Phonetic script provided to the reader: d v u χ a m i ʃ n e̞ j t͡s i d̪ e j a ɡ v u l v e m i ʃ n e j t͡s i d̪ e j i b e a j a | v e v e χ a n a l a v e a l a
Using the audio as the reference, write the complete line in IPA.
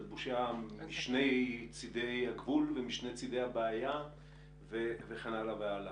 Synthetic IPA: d b u ʃ a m i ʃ n e̞ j t͡s i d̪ e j a ɡ v u l v e m i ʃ n e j t͡s i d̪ e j a b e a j a | v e v e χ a n a l a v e a l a